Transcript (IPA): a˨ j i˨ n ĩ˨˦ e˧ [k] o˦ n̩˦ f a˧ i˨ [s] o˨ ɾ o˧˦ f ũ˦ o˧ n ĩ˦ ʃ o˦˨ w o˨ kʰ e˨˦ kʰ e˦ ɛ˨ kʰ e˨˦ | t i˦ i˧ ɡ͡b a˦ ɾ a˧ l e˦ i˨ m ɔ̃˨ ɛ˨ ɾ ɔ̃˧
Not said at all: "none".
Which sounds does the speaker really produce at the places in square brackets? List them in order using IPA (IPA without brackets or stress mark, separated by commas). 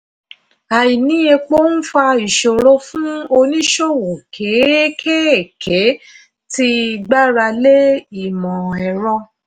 k͡p, ʃ